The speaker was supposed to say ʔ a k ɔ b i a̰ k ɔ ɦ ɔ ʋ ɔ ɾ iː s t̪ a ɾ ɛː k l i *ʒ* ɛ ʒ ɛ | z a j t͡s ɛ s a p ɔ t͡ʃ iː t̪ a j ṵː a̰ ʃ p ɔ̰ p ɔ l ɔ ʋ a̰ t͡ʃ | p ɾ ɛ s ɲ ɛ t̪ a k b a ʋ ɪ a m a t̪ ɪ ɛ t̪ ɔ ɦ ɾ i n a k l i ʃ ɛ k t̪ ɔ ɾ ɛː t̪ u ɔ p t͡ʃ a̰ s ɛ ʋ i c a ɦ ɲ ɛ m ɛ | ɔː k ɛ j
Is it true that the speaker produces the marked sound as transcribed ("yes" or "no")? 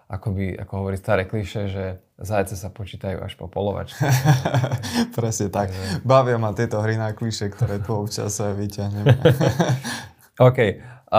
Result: no